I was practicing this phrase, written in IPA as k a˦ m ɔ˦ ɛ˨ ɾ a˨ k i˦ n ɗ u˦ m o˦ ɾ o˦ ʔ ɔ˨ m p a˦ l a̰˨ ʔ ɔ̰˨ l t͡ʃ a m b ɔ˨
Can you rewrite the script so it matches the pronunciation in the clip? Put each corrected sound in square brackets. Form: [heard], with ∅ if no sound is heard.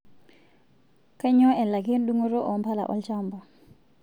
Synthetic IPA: k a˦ [ɲ] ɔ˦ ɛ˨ [l] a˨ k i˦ n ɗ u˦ [ŋ] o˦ ɾ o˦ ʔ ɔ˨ m p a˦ l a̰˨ ʔ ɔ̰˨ l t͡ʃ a m b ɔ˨